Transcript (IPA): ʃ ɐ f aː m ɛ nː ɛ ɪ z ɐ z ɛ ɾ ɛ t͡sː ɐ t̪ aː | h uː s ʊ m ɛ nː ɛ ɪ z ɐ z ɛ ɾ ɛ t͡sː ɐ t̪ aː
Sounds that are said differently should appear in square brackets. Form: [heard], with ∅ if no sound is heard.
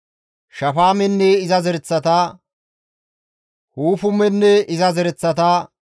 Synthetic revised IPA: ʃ ɐ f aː m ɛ nː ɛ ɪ z ɐ z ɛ ɾ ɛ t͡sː ɐ t̪ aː | h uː [f] ʊ m ɛ nː ɛ ɪ z ɐ z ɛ ɾ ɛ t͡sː ɐ t̪ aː